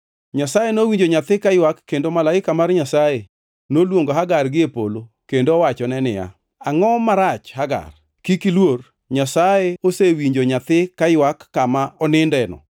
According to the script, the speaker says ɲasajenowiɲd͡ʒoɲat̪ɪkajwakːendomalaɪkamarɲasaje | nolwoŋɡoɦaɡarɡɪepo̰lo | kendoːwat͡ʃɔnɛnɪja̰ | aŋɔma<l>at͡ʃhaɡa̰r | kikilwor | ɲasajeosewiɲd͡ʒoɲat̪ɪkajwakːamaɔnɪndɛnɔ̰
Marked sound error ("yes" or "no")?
yes